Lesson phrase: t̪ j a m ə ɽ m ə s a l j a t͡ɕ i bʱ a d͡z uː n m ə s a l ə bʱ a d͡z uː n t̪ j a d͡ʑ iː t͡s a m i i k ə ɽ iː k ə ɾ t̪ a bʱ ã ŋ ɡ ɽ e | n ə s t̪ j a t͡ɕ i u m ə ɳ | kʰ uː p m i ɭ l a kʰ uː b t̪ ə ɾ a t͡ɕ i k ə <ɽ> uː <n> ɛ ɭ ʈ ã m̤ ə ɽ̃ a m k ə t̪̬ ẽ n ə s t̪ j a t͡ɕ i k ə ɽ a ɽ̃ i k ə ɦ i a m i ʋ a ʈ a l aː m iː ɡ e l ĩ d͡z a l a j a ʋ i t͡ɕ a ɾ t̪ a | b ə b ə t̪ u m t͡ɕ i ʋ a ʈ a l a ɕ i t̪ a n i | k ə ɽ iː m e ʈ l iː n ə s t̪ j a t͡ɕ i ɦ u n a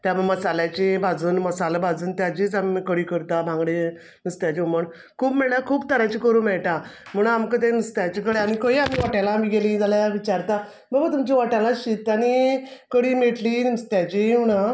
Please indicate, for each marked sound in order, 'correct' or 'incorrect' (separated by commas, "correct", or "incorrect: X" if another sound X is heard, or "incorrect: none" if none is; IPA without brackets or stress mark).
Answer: incorrect: ɾ, incorrect: m